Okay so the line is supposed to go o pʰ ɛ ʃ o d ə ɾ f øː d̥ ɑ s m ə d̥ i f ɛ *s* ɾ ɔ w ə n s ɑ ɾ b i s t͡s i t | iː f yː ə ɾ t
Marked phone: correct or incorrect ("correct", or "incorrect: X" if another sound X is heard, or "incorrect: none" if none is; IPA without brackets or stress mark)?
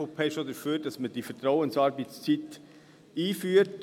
incorrect: t